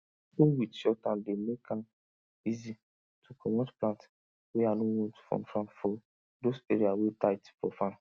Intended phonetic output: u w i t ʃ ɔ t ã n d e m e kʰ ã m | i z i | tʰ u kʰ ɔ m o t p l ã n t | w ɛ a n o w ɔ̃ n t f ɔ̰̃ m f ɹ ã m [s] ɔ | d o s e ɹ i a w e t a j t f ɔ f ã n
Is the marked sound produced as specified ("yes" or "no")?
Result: no